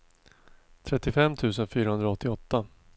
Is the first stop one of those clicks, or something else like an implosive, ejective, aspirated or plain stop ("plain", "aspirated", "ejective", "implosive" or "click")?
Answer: aspirated